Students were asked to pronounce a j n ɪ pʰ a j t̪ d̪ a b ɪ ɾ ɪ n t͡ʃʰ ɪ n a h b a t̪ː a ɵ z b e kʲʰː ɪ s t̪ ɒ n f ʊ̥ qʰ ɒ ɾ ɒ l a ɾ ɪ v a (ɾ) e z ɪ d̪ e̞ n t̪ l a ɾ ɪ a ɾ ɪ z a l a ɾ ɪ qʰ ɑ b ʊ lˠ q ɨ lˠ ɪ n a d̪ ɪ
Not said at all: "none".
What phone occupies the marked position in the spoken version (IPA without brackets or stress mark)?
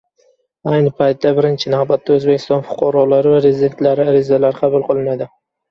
ɾ